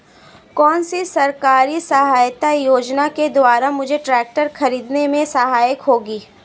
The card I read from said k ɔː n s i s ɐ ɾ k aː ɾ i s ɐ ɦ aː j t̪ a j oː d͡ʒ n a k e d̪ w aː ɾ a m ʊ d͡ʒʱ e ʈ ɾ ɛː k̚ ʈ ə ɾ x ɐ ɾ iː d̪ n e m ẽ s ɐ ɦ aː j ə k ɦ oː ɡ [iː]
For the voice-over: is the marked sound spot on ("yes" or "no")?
yes